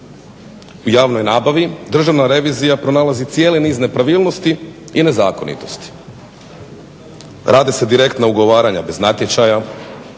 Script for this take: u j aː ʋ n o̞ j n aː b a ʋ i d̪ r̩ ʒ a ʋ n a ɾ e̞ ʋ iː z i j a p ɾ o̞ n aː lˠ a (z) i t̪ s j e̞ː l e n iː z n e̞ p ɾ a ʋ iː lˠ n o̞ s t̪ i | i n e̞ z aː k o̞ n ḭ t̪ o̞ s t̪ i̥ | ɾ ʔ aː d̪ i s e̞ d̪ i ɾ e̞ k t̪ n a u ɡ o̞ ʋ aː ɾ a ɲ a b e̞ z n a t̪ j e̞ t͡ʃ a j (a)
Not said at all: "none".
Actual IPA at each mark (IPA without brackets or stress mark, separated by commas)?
z, a